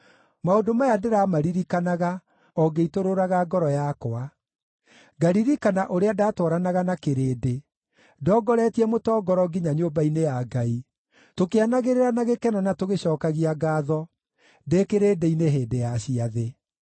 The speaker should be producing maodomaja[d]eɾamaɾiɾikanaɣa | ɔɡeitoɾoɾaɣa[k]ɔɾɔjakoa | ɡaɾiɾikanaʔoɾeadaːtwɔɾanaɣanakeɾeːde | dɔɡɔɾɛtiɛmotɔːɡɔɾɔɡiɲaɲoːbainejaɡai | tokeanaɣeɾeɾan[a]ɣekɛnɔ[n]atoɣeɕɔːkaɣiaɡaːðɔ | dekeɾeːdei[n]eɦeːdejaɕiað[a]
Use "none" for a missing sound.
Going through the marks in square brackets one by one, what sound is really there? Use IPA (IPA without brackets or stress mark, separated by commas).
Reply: d, ɡ, a, n, n, e